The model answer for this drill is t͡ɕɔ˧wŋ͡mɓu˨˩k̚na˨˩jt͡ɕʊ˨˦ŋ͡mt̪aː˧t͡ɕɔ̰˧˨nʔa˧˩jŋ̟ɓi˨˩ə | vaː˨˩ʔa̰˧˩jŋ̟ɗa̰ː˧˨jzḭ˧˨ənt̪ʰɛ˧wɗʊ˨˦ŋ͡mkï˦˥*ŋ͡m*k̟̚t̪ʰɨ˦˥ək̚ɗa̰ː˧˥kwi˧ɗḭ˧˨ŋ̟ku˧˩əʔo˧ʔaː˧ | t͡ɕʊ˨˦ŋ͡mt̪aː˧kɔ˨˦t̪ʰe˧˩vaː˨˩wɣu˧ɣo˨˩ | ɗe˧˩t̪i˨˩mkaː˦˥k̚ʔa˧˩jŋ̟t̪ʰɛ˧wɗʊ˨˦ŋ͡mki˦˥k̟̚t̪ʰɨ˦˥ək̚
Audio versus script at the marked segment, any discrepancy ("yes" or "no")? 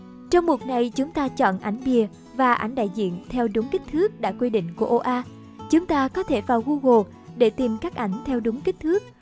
yes